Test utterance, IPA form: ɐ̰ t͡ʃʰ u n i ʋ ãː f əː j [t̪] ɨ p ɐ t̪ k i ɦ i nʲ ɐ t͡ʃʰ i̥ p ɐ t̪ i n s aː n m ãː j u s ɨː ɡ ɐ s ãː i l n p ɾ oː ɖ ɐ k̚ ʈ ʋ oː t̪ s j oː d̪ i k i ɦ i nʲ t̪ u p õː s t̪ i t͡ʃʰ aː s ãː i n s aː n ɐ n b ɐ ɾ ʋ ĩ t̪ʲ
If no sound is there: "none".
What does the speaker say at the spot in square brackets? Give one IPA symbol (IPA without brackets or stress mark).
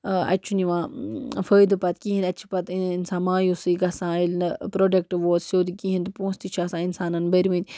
d̪